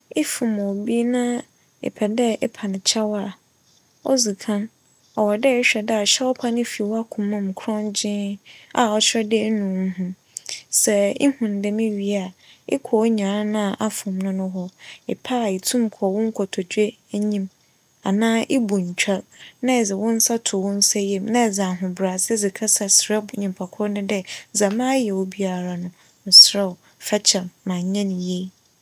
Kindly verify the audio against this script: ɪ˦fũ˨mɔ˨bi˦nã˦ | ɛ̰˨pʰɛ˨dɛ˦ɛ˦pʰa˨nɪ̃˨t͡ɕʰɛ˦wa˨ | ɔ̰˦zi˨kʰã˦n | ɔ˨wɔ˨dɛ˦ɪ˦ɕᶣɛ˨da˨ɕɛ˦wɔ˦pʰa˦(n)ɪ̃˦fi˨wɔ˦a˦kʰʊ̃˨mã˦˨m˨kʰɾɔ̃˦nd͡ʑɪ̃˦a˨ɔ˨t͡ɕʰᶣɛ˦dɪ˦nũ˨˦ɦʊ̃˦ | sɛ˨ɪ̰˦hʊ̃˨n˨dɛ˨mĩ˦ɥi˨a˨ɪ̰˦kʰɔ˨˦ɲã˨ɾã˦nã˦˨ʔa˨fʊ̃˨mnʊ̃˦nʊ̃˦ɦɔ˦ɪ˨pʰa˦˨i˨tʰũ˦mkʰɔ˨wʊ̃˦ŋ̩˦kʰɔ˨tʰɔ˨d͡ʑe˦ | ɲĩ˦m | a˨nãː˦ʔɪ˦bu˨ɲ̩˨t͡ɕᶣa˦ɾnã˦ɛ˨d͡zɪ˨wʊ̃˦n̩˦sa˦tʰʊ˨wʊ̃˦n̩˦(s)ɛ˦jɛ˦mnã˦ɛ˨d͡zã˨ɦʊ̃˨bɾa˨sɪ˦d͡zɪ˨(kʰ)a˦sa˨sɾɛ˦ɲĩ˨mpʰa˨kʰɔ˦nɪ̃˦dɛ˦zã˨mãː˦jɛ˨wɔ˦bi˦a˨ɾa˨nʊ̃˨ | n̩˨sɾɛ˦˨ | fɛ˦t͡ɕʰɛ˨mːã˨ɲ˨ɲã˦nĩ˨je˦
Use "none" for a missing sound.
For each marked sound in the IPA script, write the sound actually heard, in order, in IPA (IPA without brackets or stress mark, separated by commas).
n, s, kʰ